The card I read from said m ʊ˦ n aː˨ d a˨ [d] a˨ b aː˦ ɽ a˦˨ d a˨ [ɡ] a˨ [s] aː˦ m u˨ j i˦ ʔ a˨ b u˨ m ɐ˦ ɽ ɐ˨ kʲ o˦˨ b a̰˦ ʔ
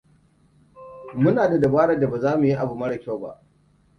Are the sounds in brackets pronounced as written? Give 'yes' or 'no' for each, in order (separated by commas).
yes, no, no